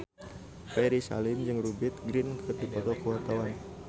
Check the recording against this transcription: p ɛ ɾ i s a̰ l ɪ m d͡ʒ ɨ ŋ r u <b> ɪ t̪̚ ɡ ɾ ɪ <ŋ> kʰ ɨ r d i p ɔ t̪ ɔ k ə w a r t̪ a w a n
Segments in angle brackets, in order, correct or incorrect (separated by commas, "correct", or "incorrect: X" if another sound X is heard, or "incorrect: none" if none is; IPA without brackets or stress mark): correct, incorrect: n